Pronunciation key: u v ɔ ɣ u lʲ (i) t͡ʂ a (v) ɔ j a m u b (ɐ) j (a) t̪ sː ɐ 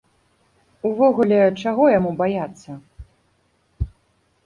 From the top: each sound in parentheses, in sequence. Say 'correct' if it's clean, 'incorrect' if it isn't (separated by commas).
incorrect, incorrect, incorrect, correct